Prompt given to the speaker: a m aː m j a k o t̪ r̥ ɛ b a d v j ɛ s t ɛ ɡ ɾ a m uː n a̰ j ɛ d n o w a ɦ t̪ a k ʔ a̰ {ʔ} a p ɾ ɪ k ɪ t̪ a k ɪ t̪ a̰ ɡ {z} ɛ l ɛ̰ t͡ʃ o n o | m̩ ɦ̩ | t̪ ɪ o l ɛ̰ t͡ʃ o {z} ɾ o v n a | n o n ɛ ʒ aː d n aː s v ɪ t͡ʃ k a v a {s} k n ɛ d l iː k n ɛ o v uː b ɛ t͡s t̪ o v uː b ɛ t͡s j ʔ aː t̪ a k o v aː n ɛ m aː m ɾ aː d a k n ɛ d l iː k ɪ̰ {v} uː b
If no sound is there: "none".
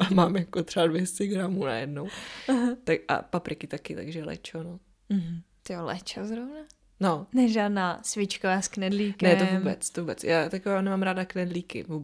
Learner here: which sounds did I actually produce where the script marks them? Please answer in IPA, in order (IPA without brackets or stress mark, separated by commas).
p, ʒ, z, s, v